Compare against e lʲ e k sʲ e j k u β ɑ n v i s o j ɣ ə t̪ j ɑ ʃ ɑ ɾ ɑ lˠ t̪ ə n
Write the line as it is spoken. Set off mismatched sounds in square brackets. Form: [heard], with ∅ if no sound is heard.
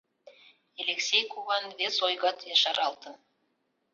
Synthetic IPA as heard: e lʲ e k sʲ e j k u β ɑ n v [e] s o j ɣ [ɑ] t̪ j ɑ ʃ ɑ ɾ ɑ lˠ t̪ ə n